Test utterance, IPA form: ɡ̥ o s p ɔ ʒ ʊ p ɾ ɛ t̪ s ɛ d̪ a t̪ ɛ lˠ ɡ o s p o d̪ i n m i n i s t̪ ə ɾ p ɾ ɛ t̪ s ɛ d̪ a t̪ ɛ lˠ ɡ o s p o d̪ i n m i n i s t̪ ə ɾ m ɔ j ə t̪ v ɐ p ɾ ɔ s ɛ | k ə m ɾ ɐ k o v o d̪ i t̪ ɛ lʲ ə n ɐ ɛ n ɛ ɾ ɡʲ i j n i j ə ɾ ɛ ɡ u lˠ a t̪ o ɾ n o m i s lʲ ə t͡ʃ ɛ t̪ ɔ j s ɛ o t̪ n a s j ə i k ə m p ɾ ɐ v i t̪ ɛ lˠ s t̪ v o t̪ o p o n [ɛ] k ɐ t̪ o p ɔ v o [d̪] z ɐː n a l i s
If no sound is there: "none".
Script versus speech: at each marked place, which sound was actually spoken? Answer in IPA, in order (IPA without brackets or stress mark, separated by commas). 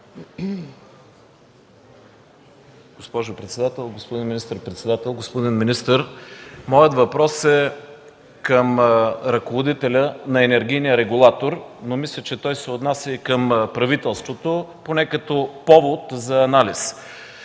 ɛ, t̪